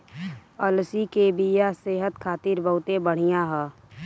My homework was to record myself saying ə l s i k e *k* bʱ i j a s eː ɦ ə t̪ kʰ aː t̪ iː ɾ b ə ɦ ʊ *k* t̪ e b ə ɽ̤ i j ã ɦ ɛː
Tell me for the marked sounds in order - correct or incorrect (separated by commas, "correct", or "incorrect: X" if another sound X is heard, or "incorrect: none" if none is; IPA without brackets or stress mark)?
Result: incorrect: none, incorrect: none